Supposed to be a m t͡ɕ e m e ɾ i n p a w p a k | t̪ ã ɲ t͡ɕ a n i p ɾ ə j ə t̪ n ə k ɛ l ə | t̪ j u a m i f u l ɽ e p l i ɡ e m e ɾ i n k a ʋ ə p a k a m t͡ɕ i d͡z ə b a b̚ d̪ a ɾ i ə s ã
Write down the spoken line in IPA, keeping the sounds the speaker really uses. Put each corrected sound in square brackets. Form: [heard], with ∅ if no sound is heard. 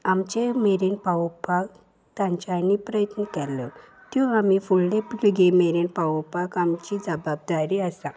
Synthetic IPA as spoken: a m t͡ɕ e m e ɾ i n p a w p a k | t̪ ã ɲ t͡ɕ a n i p ɾ ə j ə t̪ n ə k ɛ l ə | t̪ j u a m i f u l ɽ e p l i ɡ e m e ɾ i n [p] a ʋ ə p a k a m t͡ɕ i d͡z ə b a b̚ d̪ a ɾ i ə s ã

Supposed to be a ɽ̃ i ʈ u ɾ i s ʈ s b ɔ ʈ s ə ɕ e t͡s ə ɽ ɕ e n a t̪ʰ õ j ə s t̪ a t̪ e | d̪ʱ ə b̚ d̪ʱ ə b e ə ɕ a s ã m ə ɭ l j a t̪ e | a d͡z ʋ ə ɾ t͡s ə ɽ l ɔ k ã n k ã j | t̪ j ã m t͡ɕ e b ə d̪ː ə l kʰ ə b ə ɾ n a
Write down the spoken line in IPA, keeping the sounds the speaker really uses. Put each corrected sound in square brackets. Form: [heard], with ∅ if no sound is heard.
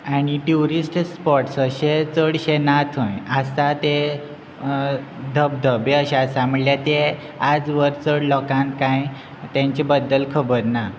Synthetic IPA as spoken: a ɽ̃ i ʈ u ɾ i s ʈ s [p] ɔ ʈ s ə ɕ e t͡s ə ɽ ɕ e n a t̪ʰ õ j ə s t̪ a t̪ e | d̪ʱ ə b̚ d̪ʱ ə b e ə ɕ a s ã m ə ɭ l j a t̪ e | a d͡z ʋ ə ɾ t͡s ə ɽ l ɔ k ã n k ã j | t̪ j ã [ɲ] t͡ɕ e b ə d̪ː ə l kʰ ə b ə ɾ n a

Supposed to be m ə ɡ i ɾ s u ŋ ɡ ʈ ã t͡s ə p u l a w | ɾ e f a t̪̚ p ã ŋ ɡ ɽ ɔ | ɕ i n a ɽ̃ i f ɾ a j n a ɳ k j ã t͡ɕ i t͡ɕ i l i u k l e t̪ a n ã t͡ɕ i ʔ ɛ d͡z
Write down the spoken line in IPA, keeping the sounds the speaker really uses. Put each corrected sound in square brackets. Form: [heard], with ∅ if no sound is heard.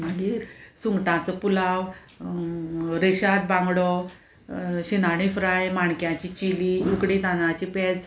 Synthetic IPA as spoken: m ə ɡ i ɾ s u ŋ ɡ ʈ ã t͡s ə p u l a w | ɾ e [ɕ] a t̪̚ [b] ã ŋ ɡ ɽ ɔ | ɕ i n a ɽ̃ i f ɾ a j [m] a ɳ k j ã t͡ɕ i t͡ɕ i l i u k [ɽ] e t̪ a n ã t͡ɕ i [p] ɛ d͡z

